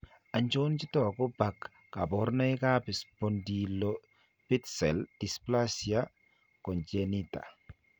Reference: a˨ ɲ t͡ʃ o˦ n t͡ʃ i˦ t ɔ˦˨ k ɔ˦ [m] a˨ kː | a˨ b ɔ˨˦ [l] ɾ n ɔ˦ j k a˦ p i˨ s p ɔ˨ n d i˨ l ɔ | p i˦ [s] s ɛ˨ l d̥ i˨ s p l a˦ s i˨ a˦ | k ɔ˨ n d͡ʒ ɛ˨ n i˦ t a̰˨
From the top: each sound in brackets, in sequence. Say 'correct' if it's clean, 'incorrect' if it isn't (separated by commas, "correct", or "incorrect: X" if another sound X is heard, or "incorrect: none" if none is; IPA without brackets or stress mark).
incorrect: b, incorrect: none, incorrect: t